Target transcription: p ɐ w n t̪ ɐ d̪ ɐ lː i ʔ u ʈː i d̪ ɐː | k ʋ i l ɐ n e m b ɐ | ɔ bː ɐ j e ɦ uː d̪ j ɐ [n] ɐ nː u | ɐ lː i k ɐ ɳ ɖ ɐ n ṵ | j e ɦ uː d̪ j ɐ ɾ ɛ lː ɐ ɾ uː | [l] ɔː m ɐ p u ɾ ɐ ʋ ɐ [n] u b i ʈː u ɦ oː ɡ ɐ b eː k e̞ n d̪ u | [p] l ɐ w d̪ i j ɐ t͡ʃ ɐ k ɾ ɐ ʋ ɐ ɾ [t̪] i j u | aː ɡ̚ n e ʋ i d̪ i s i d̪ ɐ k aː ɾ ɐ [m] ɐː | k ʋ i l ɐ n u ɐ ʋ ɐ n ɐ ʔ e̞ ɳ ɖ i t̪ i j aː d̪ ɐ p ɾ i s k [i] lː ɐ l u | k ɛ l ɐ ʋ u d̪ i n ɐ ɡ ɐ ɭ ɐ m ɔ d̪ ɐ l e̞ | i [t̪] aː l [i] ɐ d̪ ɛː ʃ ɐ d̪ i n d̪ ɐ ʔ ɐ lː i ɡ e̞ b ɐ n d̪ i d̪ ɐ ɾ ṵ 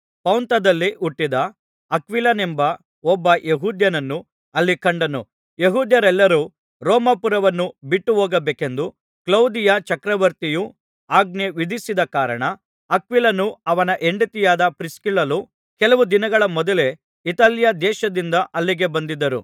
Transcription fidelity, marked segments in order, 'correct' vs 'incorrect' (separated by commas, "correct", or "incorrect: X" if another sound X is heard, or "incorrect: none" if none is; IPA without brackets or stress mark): correct, incorrect: ɾ, incorrect: nː, incorrect: k, correct, incorrect: ɳ, correct, correct, incorrect: j